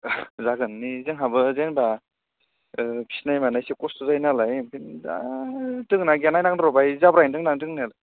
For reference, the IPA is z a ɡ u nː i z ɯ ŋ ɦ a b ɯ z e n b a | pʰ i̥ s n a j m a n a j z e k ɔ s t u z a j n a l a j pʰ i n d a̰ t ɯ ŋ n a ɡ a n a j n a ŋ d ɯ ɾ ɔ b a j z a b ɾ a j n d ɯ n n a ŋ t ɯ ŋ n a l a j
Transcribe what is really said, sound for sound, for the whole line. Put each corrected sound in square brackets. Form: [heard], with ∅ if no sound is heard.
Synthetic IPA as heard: z a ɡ [ɯ] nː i z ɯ ŋ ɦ a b ɯ z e n b a | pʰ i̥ s n a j m a n a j [s] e k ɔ s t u z a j n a l a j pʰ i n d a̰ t ɯ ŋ n a ɡ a n a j n a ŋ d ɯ ɾ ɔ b a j z a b ɾ a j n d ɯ [ŋ] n a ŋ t ɯ ŋ n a l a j

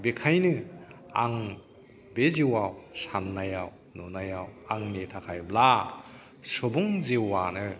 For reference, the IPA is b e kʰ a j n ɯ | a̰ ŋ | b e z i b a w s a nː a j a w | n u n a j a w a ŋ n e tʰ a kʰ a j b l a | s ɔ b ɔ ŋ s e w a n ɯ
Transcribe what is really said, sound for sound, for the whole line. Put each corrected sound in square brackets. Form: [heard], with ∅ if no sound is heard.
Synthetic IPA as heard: b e kʰ a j n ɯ | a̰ ŋ | b e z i [w] a w s a nː a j a w | n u n a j a w a ŋ n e tʰ a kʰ a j b l a | s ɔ b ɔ ŋ [z] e w a n ɯ

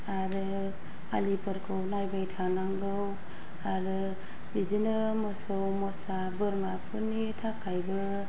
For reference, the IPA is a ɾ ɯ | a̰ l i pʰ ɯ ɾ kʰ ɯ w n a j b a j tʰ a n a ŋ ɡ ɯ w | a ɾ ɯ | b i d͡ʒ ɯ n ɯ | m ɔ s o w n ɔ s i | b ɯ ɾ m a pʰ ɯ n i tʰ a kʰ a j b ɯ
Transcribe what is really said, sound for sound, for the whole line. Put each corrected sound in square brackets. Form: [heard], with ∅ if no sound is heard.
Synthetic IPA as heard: a ɾ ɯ | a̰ l i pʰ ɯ ɾ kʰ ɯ w n a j b a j tʰ a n a ŋ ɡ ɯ w | a ɾ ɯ | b i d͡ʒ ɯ n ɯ | m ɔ s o w [m] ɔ s [a] | b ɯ ɾ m a pʰ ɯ n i tʰ a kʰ a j b ɯ

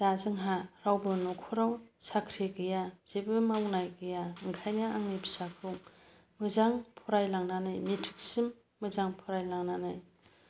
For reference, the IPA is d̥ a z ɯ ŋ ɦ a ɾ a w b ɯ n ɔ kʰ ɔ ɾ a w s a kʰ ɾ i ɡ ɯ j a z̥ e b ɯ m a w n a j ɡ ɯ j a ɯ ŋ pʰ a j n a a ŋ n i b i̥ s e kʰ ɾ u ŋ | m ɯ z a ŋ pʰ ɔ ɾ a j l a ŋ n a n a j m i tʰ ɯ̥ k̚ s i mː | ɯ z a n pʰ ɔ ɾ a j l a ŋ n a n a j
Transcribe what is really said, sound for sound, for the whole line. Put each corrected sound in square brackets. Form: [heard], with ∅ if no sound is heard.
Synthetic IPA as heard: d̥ a z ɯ ŋ ɦ a ɾ a w b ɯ n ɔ kʰ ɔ ɾ a w s a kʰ ɾ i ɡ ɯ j a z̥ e b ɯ m a w n a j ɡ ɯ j a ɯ ŋ [kʰ] a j n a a ŋ n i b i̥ s [a] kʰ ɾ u ŋ | m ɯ z a ŋ pʰ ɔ ɾ a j l a ŋ n a n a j m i tʰ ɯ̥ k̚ s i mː | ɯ z a [ŋ] pʰ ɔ ɾ a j l a ŋ n a n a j

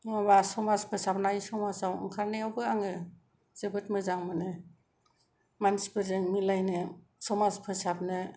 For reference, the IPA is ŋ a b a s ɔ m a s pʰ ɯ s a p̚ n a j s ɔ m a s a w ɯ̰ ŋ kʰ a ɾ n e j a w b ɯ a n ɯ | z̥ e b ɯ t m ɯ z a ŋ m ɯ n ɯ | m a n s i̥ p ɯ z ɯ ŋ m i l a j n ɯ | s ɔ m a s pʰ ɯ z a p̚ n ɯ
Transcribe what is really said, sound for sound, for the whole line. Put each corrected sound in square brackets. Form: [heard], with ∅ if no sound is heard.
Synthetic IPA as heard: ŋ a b a s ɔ m a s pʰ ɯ s a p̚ n a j s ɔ m a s a w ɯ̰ ŋ kʰ a ɾ n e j a w b ɯ a [ŋ] ɯ | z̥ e b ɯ t m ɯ z a ŋ m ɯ n ɯ | m a n s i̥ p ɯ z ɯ ŋ m i l a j n ɯ | s ɔ m a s pʰ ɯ [s] a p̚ n ɯ

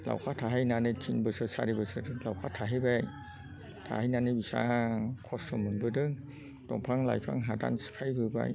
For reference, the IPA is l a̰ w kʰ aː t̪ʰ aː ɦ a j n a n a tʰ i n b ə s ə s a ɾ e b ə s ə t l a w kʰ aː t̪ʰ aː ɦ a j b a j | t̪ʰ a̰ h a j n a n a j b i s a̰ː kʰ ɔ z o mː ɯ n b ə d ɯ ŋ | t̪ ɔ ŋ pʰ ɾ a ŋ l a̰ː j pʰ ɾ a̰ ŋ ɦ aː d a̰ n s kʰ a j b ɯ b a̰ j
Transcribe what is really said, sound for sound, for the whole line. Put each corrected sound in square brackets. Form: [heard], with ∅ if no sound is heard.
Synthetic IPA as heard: l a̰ w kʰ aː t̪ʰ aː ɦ a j n a n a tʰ i n b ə s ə s a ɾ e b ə s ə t l a w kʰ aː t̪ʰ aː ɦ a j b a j | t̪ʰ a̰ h a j n a n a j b i s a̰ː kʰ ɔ [s] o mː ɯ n b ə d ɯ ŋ | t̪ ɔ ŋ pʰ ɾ a ŋ l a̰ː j pʰ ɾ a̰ ŋ ɦ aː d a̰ n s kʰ a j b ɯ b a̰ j

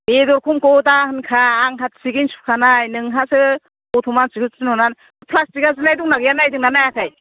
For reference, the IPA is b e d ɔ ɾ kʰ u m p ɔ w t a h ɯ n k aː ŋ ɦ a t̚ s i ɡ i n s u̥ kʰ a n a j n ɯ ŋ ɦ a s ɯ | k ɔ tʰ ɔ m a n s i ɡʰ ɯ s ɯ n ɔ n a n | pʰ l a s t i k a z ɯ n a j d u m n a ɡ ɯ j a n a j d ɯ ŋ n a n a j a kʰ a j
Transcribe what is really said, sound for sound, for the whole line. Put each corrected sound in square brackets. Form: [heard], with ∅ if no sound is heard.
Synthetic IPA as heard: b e d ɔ ɾ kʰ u m [k] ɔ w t a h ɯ n [kʰ] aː ŋ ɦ a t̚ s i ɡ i n s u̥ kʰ a n a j n ɯ ŋ ɦ a s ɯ | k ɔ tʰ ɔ m a n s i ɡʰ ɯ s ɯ n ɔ n a n | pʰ l a s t i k a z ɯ n a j d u [ŋ] n a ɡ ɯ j a n a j d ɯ ŋ n a n a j a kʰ a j

